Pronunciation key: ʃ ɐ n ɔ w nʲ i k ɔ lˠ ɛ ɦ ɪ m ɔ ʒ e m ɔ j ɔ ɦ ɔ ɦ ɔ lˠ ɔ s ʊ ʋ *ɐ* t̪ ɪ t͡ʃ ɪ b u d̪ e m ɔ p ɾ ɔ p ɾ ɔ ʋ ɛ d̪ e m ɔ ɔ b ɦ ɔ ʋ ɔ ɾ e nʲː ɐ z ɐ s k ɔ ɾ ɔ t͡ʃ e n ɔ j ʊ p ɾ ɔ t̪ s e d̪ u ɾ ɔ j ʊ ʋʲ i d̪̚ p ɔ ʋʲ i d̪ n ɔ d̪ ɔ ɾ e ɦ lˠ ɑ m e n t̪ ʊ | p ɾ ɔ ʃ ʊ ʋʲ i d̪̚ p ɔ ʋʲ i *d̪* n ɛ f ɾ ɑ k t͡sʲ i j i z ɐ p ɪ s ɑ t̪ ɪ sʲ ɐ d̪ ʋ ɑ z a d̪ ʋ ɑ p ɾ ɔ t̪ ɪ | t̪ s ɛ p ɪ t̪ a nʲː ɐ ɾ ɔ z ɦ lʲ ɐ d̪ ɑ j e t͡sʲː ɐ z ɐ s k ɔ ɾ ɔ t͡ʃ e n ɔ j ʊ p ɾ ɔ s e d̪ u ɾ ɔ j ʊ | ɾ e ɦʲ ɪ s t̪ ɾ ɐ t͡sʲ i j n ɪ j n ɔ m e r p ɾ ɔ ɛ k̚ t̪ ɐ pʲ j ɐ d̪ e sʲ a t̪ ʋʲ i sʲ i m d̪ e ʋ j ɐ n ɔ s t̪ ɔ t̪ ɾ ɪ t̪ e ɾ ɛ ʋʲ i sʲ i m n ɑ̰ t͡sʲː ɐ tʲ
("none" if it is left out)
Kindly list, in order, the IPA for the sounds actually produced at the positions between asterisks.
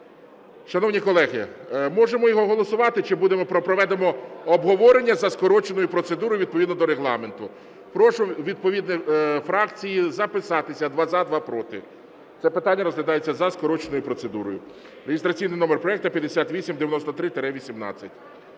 ɑ, d̪

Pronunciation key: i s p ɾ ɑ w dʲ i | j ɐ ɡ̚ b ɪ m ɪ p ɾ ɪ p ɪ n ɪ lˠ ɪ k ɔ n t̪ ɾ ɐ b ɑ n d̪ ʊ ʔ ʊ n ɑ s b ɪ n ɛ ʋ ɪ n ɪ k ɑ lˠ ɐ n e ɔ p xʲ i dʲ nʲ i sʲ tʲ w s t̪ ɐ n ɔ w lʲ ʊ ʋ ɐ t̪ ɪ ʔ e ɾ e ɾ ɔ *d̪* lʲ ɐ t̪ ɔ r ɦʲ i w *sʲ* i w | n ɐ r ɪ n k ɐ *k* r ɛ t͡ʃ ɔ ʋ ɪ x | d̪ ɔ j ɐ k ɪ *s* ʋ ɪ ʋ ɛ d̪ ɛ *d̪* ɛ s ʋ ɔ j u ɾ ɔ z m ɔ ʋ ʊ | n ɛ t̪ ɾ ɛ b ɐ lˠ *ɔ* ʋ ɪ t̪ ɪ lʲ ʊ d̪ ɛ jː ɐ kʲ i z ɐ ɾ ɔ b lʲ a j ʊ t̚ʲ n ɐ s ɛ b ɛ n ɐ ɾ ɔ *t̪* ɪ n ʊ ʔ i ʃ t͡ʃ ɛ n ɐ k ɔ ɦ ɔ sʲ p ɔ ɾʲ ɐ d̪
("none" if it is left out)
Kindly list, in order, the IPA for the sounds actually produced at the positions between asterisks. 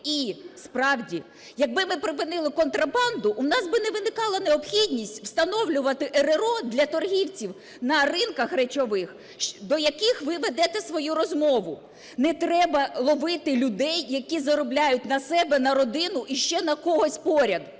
d̪, t͡sʲ, x, x, t̪, ɔ, d̪

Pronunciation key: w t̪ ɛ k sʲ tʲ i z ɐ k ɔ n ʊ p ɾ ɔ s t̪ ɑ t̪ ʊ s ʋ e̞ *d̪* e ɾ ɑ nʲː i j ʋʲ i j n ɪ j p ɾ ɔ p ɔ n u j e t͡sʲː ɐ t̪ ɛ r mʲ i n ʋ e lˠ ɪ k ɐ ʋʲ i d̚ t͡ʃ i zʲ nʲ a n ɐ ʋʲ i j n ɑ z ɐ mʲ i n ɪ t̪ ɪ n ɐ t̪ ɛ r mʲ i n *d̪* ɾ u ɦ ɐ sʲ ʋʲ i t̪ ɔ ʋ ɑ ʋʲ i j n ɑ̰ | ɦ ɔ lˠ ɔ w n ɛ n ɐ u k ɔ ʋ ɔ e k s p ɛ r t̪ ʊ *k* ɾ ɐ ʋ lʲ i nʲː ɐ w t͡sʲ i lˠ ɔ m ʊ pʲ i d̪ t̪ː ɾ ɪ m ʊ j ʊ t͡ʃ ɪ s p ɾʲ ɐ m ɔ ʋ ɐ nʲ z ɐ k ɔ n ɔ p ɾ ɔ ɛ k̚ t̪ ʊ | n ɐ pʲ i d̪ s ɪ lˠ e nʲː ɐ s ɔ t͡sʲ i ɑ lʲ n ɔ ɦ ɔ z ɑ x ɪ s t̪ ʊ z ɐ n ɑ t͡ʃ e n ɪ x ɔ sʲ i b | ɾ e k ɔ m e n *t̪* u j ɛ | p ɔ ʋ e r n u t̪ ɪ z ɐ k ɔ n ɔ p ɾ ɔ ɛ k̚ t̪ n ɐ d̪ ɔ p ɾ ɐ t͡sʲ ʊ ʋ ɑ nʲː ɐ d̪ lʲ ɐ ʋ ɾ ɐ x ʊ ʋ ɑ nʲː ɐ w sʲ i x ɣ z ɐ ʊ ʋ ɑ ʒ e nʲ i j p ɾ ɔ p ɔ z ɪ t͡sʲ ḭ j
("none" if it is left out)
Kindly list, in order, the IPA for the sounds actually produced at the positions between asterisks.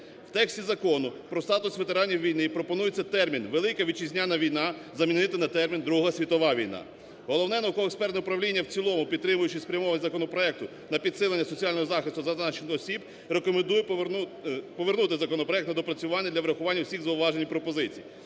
t̪, d̪, p, d̪

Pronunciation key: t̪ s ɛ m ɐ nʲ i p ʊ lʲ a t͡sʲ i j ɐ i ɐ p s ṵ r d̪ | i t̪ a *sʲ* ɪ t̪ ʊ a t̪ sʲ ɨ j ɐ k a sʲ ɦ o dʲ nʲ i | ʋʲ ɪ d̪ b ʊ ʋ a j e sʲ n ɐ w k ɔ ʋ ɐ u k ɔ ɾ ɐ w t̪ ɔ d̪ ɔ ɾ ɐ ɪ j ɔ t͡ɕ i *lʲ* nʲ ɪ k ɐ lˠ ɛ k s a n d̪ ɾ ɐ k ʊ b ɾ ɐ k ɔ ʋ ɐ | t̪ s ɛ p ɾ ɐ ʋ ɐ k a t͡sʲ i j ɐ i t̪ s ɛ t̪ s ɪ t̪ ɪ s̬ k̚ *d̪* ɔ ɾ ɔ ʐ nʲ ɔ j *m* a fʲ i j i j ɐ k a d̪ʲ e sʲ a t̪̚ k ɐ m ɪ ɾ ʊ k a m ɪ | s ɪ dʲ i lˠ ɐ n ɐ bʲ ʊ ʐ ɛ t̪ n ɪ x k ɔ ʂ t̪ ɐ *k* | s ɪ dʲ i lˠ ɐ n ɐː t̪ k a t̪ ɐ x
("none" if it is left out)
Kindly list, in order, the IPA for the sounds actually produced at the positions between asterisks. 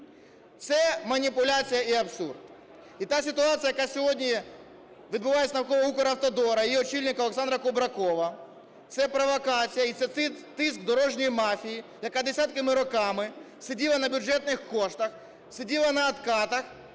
sʲ, lʲ, d̪, m, x

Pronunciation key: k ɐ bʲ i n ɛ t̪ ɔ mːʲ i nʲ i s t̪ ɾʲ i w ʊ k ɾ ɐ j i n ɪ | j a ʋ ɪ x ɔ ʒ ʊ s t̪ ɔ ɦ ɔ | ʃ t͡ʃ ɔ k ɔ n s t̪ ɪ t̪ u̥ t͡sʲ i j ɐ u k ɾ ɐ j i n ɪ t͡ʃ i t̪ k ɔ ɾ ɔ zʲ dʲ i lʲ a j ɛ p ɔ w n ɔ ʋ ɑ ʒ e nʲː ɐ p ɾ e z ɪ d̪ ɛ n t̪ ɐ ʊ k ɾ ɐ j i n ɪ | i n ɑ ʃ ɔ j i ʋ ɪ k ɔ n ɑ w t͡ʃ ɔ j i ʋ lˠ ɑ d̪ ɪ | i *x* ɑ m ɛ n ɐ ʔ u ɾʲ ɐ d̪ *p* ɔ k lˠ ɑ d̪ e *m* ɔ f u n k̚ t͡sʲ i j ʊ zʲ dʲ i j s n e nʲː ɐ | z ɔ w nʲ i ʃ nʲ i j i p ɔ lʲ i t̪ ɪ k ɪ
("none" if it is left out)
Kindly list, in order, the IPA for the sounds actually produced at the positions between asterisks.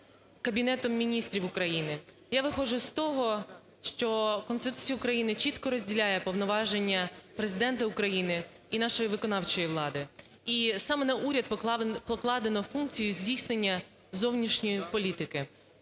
s, p, n

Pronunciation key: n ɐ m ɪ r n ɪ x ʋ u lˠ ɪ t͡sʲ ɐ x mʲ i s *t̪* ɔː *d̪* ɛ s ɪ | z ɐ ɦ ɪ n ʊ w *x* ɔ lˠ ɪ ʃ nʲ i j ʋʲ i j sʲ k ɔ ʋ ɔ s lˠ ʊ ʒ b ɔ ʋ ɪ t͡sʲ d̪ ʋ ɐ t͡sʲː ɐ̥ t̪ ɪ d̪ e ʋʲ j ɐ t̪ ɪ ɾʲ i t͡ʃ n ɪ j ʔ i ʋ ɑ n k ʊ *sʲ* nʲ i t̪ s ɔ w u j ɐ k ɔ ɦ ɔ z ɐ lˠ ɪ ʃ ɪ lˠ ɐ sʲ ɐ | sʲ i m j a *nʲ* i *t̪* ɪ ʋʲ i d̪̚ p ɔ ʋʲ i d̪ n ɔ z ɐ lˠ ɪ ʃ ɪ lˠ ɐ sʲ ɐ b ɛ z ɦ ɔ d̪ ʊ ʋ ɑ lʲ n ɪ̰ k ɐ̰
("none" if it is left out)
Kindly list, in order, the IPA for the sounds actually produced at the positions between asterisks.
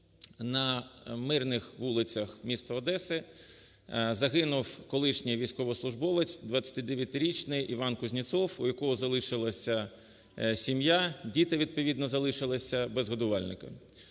t̪, d̪, k, zʲ, dʲ, t̪

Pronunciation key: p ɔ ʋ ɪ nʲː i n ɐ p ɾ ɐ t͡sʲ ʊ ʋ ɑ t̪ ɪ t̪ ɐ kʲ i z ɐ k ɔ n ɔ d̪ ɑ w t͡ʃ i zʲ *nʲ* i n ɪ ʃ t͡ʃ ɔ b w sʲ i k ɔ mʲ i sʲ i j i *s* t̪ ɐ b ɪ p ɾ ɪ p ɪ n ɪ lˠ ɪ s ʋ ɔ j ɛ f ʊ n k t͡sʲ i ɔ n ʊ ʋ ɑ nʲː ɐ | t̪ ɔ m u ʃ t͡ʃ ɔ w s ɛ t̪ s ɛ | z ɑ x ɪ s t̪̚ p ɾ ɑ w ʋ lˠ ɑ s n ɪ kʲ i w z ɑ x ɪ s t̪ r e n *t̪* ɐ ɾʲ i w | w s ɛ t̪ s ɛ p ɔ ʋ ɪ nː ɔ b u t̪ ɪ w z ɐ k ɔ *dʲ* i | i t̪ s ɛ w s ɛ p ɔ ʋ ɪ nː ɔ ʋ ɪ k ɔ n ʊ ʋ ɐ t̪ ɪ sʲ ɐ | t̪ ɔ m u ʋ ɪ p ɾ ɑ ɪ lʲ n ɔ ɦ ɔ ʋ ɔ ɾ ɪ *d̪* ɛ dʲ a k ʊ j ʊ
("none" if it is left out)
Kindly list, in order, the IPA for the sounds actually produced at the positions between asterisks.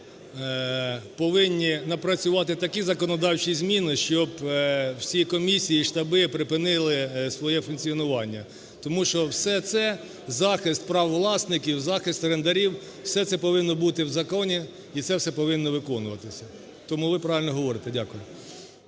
mʲ, ʃ, d̪, nʲ, t̪

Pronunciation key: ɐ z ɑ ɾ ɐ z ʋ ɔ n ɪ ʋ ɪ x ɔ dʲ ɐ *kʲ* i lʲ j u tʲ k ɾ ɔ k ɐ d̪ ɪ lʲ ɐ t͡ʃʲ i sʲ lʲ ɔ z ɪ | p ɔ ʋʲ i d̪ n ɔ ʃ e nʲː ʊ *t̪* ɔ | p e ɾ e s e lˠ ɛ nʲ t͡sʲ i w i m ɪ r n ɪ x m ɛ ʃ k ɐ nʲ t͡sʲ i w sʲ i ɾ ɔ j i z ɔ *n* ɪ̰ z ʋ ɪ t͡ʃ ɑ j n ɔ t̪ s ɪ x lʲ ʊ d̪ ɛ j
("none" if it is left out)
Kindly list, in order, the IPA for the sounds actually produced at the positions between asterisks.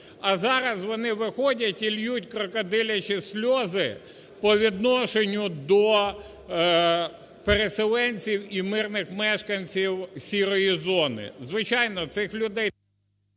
tʲ, d̪, n

